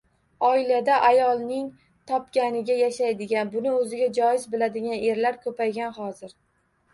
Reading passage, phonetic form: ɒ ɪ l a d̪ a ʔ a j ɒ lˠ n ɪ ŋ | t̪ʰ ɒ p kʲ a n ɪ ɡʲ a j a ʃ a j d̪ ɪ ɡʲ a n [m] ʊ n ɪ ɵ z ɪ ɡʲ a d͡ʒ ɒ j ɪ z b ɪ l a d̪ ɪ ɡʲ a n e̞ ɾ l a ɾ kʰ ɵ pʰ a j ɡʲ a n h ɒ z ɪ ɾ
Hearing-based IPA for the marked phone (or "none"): b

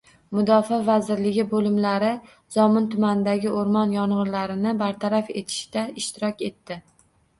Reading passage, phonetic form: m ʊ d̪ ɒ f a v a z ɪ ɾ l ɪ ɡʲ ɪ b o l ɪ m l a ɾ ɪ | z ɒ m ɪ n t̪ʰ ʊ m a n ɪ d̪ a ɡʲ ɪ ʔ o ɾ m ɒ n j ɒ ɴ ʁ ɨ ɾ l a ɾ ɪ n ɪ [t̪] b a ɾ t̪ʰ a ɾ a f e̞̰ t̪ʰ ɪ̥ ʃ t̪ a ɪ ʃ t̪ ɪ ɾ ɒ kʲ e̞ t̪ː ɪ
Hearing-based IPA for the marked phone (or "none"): none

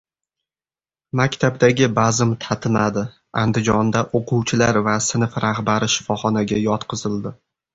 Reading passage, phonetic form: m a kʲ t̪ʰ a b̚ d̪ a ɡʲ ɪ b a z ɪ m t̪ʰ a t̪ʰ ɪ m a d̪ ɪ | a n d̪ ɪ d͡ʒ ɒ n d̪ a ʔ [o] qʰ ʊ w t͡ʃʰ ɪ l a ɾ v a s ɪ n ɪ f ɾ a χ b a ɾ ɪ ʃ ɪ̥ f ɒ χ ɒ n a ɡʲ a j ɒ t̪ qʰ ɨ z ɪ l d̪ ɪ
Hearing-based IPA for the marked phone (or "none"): o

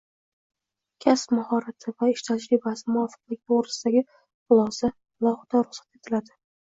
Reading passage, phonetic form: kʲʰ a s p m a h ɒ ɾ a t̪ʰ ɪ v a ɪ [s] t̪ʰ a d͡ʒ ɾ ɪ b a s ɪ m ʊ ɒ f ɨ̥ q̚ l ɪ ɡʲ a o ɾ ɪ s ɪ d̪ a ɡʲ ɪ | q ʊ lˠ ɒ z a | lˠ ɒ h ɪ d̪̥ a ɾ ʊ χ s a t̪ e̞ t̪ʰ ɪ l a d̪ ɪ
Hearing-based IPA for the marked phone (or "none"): ʃ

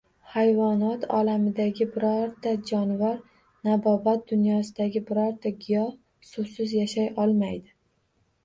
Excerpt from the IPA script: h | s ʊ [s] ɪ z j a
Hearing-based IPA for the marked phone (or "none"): s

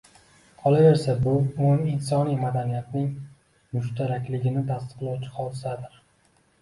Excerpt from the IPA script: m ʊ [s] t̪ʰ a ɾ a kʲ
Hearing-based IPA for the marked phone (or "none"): ʃ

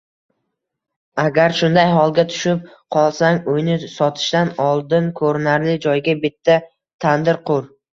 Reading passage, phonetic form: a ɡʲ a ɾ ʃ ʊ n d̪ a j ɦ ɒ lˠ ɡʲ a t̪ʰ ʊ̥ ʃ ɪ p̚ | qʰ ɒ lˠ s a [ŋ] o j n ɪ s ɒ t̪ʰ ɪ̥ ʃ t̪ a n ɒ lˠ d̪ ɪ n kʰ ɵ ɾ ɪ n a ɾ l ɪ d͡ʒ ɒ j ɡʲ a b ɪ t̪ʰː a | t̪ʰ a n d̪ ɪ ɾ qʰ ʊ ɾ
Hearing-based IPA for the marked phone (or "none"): ŋ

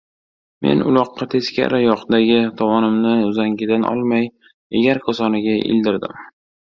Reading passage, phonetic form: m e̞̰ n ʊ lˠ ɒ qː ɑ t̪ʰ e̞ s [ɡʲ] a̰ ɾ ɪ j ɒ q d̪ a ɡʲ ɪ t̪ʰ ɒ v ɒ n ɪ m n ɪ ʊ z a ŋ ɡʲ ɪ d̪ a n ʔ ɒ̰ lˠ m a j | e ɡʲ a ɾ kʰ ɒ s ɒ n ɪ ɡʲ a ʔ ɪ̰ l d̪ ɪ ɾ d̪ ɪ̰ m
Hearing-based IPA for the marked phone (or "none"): kʲ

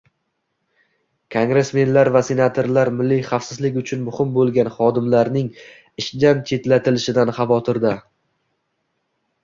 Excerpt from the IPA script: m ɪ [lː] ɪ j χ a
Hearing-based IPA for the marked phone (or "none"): lː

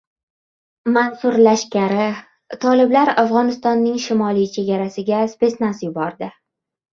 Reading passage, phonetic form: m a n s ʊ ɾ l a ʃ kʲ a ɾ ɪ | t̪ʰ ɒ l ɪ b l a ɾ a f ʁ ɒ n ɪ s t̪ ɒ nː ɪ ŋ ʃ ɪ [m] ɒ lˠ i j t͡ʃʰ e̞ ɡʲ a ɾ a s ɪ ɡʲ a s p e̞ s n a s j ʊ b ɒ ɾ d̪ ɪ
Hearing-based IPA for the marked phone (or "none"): m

